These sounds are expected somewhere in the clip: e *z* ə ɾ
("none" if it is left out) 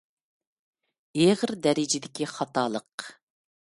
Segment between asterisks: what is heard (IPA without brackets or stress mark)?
ʁ